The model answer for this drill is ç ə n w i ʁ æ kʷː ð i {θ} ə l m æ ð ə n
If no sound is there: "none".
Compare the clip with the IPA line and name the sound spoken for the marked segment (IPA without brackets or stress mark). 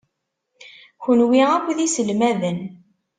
s